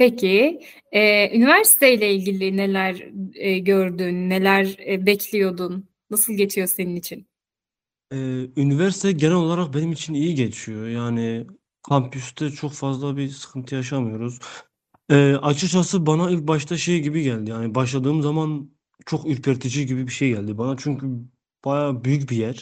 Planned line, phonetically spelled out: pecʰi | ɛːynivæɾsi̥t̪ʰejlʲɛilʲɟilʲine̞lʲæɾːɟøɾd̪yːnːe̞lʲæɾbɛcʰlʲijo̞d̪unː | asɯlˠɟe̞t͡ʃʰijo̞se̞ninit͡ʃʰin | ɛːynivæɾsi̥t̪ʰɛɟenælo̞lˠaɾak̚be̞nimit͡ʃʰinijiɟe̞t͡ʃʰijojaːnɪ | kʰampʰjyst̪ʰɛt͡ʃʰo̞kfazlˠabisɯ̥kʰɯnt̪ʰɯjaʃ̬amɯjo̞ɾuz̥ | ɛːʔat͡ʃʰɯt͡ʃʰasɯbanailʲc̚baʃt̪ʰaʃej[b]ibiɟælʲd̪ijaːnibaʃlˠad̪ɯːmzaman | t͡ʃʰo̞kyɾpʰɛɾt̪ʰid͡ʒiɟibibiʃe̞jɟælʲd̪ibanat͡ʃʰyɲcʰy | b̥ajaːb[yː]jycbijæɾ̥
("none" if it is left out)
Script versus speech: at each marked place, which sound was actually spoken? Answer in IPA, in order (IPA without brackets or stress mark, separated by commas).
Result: ɟ, y